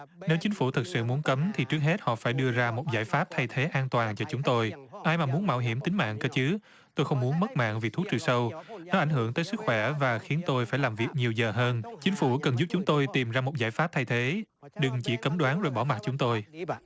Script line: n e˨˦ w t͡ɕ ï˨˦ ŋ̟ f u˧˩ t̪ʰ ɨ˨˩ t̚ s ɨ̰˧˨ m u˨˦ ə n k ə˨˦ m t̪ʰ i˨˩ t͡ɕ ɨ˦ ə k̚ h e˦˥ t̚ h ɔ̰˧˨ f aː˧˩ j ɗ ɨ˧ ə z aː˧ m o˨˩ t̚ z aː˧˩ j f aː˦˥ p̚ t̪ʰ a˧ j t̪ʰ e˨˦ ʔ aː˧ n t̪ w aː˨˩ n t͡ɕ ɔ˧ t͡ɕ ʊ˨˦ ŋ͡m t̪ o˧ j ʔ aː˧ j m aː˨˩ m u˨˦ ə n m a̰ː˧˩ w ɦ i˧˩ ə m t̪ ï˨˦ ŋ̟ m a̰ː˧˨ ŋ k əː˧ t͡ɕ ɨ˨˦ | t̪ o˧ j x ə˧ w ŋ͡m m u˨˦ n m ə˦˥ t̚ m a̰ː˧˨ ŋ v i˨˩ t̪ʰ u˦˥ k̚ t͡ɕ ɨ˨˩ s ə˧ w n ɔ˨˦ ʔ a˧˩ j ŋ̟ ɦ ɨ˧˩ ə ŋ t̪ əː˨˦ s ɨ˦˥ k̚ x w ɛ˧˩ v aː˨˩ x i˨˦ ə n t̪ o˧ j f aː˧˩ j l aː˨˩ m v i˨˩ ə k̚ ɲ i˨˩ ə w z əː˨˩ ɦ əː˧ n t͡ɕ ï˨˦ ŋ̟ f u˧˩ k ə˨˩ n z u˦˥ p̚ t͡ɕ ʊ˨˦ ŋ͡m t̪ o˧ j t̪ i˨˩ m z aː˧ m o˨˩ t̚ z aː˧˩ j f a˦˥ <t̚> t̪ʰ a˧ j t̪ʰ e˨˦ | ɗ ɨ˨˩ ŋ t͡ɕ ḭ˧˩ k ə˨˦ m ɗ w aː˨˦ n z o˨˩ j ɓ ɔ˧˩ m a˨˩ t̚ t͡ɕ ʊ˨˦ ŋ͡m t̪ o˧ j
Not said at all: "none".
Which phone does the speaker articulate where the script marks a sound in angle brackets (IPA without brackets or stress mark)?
p̚